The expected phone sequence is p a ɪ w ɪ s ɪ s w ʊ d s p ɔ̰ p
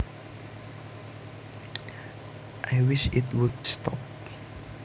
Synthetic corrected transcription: ʔ a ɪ w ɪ ʃ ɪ t w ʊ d s t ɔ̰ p